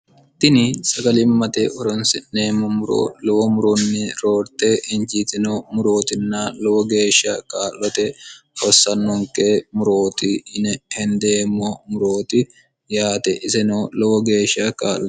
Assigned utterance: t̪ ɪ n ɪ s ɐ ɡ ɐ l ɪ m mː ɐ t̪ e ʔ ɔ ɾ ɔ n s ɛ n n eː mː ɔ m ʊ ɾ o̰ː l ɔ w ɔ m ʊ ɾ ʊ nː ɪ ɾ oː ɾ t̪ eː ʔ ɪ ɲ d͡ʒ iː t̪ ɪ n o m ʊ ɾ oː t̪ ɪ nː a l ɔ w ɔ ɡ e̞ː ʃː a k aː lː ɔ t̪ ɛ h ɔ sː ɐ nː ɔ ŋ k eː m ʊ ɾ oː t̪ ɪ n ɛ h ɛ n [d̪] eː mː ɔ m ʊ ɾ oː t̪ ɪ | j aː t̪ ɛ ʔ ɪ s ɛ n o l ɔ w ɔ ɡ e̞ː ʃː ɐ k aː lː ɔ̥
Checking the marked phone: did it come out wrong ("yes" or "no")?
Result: no